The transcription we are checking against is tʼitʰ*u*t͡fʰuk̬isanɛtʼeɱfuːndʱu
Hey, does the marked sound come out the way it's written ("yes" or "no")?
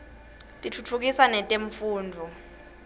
yes